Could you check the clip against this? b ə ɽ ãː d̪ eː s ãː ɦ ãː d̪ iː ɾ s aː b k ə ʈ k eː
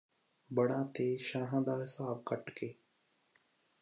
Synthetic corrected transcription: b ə ɽ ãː t̪ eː ʃ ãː ɦ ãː d̪ aː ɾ s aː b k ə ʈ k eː